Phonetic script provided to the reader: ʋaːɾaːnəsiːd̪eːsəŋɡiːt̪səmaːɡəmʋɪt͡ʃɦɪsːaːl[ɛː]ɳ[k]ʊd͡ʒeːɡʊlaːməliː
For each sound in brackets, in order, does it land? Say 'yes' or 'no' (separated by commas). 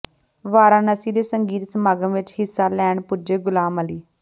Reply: yes, no